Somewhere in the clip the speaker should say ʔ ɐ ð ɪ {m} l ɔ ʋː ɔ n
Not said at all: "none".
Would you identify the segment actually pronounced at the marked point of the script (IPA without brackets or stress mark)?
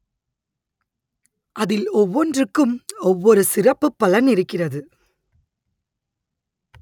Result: none